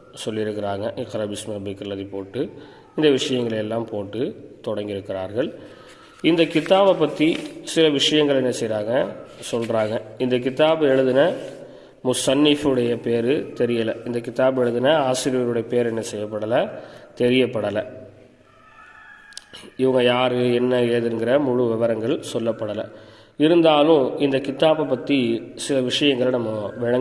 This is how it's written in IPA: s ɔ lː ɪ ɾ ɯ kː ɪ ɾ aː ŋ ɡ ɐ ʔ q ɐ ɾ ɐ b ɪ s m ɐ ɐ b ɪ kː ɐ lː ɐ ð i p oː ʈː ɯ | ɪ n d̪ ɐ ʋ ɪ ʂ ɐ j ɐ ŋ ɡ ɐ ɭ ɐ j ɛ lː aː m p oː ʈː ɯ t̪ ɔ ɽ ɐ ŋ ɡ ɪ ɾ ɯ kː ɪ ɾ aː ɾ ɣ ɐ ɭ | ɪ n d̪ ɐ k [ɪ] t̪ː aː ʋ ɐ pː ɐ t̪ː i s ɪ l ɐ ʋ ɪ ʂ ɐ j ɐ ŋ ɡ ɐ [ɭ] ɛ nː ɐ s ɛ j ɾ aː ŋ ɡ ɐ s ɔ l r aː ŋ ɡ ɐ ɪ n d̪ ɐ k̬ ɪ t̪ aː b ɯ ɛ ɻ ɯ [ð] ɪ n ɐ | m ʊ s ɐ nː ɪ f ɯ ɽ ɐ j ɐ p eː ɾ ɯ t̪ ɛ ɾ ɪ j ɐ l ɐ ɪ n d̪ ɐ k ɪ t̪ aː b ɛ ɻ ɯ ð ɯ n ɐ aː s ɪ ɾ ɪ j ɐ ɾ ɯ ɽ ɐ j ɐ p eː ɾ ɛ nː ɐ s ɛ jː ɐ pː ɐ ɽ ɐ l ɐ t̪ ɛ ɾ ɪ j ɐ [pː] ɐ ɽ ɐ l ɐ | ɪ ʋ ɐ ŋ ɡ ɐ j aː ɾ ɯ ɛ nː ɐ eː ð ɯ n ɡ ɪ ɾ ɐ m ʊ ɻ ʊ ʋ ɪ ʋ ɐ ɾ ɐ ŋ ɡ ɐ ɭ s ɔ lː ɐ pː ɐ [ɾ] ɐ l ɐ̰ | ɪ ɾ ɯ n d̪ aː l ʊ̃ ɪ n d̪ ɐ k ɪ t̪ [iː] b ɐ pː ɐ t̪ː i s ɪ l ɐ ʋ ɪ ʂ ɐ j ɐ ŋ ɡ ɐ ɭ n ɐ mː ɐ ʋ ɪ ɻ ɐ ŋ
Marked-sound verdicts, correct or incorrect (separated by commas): correct, correct, correct, correct, incorrect, incorrect